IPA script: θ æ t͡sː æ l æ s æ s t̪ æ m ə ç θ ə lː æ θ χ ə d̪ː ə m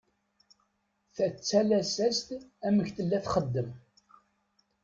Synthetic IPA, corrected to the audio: θ æ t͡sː æ l æ s æ s t̪ æ m ə ç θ ə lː æ θ χ ə d̪ː ə m